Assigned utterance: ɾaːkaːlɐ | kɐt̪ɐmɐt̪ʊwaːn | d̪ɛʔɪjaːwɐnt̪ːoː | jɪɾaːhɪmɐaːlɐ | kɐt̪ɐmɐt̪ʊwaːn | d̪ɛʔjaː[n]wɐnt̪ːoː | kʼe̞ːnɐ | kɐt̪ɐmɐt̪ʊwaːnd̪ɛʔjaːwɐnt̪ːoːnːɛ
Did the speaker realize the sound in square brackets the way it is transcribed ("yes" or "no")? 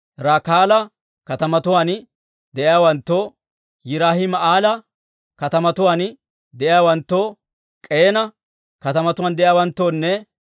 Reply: no